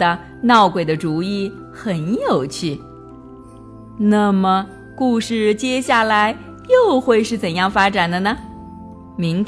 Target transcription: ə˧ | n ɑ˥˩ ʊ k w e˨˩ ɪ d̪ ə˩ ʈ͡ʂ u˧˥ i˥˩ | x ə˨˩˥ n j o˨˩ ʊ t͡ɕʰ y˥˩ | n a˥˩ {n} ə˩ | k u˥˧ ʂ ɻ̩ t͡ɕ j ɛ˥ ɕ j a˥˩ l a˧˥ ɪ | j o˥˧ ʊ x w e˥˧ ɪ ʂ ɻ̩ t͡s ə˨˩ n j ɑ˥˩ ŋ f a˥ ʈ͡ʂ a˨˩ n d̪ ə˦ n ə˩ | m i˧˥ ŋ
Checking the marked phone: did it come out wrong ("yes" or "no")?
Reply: yes